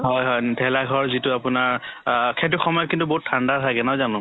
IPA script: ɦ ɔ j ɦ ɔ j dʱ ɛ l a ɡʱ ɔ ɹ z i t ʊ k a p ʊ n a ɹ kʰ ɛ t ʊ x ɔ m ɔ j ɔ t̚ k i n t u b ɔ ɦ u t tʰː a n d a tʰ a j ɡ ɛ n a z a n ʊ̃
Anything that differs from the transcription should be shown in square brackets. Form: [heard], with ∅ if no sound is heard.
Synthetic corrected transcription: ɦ ɔ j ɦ ɔ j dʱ ɛ l a ɡʱ ɔ ɹ z i t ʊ [∅] a p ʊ n a ɹ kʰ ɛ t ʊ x ɔ m ɔ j ɔ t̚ k i n t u b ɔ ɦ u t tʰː a n d a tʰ a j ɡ ɛ n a z a n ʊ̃